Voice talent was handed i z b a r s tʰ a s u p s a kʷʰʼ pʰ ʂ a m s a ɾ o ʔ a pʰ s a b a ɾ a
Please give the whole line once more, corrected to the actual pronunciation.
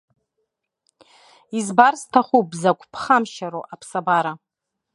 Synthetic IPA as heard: i z b a r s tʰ a χ u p z a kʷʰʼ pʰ χ a m ʃ a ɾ o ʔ a pʰ s a b a ɾ a